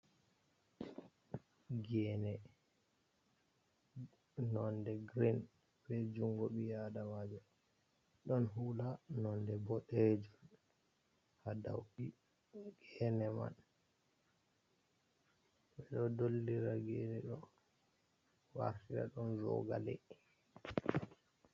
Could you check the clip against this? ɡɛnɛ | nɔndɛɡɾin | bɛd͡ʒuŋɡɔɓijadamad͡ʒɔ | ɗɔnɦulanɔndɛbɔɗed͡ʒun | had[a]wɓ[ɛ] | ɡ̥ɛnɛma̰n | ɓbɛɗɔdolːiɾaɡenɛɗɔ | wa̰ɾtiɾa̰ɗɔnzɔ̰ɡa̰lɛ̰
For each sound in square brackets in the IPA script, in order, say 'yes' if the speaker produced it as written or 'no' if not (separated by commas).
yes, no